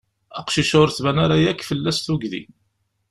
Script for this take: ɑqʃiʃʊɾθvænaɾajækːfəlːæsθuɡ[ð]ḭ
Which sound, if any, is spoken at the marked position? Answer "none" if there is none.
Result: ð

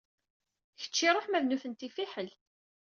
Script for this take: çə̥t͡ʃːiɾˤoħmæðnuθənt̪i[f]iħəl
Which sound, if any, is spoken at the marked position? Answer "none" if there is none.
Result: f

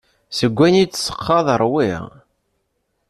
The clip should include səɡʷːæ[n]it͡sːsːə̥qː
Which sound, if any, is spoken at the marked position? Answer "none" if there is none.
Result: n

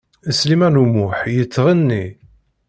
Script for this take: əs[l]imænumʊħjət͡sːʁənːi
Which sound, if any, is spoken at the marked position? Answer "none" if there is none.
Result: l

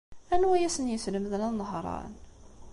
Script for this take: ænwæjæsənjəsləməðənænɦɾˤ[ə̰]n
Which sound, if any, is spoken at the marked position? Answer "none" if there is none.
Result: ɑ̰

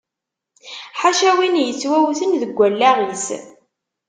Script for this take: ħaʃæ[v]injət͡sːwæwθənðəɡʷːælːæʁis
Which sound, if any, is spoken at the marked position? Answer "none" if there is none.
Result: w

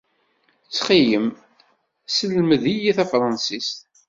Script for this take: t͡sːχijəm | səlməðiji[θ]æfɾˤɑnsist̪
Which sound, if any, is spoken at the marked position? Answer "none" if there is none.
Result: θ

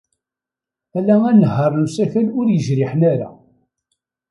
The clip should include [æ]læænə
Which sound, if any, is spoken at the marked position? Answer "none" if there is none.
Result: æ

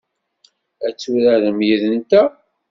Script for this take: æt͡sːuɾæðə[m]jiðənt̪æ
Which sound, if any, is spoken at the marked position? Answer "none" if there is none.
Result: m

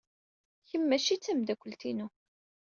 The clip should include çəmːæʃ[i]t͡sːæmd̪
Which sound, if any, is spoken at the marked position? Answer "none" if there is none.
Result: i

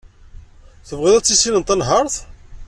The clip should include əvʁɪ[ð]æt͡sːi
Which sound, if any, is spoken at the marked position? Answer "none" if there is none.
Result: ð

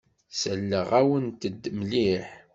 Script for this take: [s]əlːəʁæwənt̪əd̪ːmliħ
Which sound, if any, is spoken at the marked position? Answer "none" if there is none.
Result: s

